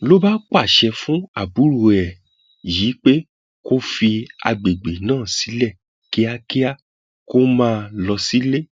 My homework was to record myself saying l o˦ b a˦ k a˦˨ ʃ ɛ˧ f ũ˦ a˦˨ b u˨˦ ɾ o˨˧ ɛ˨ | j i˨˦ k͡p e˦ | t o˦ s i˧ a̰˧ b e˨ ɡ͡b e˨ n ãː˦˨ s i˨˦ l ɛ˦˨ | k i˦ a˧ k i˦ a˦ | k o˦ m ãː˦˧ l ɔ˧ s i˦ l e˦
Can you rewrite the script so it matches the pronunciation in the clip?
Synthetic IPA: l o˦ b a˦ k͡p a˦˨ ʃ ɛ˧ f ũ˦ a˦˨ b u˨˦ ɾ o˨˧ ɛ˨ | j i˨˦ k͡p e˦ | k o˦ f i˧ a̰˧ ɡ͡b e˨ ɡ͡b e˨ n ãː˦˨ s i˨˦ l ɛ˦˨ | k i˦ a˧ k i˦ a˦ | k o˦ m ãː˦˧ l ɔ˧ s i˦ l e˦